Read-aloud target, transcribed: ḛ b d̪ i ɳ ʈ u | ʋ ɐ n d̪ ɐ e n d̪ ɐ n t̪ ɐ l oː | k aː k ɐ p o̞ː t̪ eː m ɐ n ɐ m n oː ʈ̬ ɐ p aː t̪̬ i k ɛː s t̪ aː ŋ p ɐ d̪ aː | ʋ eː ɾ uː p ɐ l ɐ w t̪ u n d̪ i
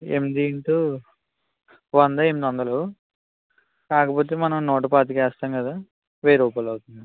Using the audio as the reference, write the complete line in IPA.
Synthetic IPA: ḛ m d̪ i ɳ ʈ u | ʋ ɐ n d̪ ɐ e m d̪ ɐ n d̪ ɐ l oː | k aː k ɐ p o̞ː t̪ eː m ɐ n ɐ m n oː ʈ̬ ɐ p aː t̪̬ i k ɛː s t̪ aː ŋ k ɐ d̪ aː | ʋ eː ɾ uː p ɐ l ɐ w t̪ u n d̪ i